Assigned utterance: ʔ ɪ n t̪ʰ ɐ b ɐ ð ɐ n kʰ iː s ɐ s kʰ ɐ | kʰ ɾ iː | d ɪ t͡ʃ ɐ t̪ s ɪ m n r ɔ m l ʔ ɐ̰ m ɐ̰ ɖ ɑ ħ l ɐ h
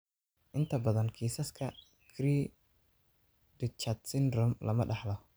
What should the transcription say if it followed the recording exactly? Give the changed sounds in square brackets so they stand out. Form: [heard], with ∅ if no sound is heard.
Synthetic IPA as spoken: ʔ ɪ n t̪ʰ ɐ b ɐ ð ɐ n kʰ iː s ɐ s kʰ ɐ | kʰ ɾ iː | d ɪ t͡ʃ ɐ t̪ s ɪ [∅] n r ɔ m l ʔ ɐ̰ m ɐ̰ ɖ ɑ ħ l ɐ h